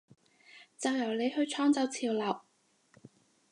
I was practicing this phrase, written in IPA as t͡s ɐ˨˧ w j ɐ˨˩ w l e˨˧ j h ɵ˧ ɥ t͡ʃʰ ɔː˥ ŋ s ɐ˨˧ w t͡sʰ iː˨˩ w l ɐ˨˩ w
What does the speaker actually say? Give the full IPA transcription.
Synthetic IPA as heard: t͡s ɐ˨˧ w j ɐ˨˩ w l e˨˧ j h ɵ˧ ɥ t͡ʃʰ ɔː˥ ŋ t͡s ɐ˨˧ w t͡sʰ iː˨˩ w l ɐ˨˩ w